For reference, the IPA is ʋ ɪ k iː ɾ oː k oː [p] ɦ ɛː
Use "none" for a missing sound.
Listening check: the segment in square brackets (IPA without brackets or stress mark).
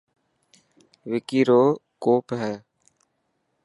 p